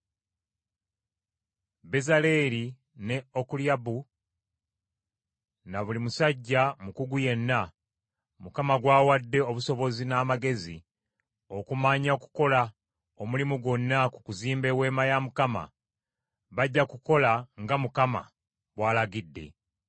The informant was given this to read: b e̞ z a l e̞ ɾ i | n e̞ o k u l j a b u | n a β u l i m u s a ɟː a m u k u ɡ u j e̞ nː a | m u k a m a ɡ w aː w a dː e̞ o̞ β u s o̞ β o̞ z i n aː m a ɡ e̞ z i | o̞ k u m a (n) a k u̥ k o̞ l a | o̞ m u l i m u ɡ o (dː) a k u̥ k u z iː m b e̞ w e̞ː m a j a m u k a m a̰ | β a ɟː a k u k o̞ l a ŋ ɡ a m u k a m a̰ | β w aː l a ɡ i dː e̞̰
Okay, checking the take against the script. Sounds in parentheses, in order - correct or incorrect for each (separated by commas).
incorrect, incorrect